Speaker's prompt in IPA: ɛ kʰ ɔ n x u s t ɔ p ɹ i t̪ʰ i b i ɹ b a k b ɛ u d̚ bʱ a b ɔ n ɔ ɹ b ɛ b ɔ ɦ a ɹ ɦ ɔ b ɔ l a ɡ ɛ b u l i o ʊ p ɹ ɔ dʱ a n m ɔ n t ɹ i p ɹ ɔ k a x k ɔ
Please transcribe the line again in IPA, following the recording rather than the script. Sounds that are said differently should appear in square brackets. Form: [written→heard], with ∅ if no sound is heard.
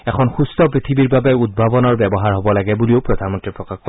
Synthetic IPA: ɛ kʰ ɔ n x u s t ɔ p ɹ i t̪ʰ i b i ɹ b a [k→∅] b ɛ u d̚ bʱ a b ɔ n ɔ ɹ b ɛ b ɔ ɦ a ɹ ɦ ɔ b ɔ l a ɡ ɛ b u l i o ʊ p ɹ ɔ dʱ a n m ɔ n t ɹ i p ɹ ɔ k a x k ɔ